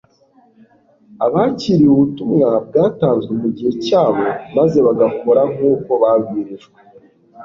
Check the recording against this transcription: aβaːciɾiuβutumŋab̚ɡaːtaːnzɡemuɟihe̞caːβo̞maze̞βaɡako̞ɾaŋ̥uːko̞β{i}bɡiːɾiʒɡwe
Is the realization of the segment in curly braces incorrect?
yes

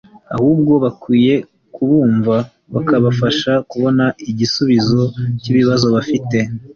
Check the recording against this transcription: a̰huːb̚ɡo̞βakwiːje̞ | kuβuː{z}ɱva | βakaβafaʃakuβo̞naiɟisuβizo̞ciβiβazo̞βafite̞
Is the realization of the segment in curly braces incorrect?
yes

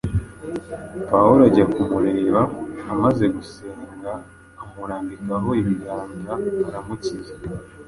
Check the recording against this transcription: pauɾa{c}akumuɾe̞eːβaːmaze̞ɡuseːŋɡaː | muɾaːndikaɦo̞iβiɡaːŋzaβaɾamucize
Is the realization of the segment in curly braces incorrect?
yes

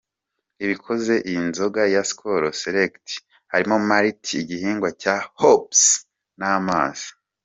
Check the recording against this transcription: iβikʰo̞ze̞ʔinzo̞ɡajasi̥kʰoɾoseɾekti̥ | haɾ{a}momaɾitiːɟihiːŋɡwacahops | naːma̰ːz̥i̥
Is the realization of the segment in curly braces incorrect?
yes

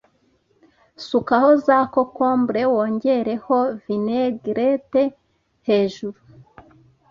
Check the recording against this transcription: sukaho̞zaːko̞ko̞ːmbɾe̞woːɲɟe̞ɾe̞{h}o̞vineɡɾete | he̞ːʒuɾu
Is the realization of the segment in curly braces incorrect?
no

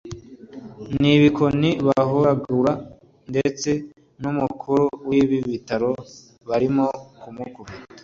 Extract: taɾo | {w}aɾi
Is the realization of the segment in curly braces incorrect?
yes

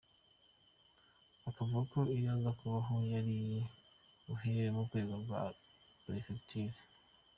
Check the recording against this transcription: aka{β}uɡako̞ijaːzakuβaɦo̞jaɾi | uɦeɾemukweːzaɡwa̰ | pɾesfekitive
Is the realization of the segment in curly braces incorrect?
yes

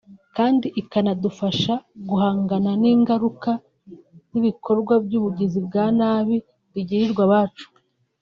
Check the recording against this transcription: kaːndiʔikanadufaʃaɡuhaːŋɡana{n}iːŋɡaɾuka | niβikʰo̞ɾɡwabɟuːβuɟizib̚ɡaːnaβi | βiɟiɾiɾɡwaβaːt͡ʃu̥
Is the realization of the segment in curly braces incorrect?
no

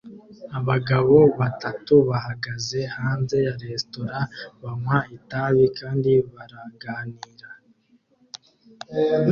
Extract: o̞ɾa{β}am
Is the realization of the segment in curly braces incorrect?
no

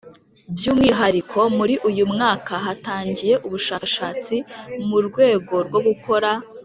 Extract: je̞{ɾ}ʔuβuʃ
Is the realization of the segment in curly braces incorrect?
yes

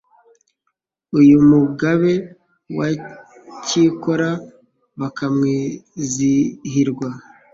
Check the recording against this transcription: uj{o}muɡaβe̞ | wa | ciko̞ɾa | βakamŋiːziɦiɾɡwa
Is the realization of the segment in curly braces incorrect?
yes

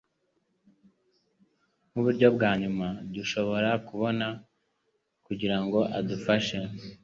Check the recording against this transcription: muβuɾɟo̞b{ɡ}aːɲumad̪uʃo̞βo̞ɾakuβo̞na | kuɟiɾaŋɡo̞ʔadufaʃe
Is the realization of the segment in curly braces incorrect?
no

